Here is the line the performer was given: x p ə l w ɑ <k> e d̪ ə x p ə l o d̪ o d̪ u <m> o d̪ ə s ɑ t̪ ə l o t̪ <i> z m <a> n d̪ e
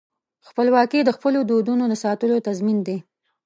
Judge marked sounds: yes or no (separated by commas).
yes, no, no, no